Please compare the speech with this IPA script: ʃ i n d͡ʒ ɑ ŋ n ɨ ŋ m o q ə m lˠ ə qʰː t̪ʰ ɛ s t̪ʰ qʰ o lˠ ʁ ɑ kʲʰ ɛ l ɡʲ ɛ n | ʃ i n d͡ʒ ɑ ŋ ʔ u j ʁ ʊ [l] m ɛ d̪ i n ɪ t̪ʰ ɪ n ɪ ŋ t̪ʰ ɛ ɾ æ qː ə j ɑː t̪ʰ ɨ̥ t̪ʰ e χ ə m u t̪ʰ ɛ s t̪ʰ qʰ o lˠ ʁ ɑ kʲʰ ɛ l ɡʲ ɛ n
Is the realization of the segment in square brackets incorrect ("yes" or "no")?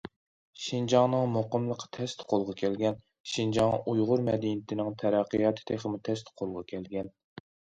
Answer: yes